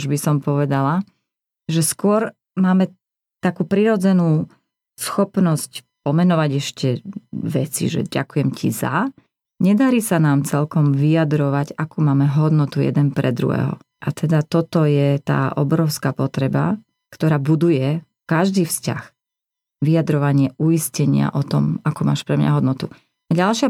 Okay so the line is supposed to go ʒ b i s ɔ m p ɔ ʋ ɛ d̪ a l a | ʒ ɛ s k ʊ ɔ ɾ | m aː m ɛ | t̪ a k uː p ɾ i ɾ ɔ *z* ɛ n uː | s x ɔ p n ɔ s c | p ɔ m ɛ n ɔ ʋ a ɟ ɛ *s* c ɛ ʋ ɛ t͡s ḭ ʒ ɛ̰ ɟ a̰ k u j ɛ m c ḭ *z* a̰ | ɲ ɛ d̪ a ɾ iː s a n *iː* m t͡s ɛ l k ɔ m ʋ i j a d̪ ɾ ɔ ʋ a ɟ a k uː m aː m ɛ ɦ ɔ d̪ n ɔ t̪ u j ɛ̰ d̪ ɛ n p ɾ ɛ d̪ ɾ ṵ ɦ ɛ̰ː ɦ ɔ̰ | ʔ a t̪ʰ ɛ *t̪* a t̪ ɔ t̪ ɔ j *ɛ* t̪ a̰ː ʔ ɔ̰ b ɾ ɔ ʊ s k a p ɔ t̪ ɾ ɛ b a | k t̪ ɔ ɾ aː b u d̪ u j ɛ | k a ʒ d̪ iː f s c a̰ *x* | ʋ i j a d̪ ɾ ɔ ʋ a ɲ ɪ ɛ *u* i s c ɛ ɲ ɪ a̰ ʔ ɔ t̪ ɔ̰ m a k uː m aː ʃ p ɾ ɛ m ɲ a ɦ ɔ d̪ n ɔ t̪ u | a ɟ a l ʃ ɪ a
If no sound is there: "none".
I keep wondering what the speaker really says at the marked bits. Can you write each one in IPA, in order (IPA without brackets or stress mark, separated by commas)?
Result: d͡z, ʃ, z, aː, d̪, ɛ, x, u